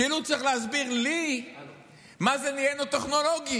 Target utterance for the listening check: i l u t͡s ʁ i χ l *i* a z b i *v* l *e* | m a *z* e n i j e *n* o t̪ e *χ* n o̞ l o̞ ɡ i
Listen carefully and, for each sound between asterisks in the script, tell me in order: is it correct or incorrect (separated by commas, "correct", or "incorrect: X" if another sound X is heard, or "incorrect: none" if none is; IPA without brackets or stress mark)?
incorrect: e, incorrect: ʁ, incorrect: i, correct, correct, correct